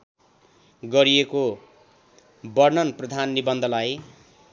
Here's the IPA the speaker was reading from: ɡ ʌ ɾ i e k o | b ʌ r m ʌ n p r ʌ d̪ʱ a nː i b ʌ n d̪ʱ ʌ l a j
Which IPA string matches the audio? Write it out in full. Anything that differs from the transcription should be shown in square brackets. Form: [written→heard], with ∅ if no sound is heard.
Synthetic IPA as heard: ɡ ʌ ɾ i e k o | b ʌ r [m→n] ʌ n p r ʌ d̪ʱ a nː i b ʌ n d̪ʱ ʌ l a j